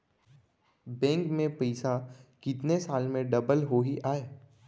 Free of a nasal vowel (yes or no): no